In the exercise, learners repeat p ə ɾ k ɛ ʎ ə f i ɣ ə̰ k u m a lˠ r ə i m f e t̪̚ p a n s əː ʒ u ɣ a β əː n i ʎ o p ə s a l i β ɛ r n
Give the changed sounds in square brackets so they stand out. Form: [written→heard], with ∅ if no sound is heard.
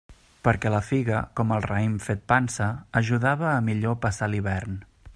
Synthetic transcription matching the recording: p ə ɾ k ɛ [ʎ→l] ə f i ɣ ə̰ k [u→ɔ] m [a→ə] lˠ r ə i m f e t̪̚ p a n s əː ʒ u [ɣ→ð] a β əː [n→m] i ʎ o p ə s a l i β ɛ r n